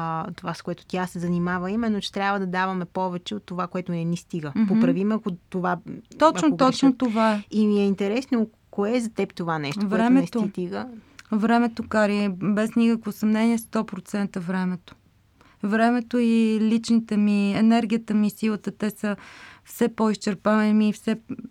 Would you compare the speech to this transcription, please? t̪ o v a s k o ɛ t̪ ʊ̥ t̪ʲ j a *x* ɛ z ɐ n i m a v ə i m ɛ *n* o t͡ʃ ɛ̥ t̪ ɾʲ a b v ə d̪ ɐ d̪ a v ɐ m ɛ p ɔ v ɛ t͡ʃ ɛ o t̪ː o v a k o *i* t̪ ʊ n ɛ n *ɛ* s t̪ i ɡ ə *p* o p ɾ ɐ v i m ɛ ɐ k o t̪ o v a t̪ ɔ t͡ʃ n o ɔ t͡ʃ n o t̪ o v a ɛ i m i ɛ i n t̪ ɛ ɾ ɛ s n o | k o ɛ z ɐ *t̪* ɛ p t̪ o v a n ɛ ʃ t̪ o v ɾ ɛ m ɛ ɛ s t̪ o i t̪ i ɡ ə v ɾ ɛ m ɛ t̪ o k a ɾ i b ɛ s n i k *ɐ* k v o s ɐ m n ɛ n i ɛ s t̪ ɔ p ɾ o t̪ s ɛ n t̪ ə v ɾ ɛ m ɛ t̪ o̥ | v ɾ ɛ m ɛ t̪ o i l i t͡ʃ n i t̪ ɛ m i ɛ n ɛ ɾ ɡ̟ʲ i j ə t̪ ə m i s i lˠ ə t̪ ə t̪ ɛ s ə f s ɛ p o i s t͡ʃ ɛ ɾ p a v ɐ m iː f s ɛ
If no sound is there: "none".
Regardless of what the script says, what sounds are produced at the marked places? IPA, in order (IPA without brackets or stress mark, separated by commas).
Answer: s, nː, ɛ, i, p, t̪, ə